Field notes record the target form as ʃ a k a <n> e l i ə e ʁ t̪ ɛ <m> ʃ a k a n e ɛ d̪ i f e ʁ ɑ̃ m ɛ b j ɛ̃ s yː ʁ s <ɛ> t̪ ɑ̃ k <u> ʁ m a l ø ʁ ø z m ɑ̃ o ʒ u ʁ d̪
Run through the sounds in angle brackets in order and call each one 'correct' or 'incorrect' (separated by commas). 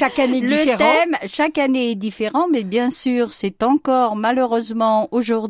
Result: correct, correct, correct, incorrect